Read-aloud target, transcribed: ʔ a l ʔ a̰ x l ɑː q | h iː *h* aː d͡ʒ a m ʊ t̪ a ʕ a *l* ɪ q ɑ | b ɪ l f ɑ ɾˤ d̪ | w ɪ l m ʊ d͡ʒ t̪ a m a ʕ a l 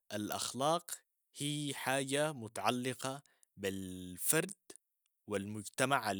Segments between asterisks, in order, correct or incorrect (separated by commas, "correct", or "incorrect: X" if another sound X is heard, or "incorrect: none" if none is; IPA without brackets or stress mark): incorrect: ħ, incorrect: lː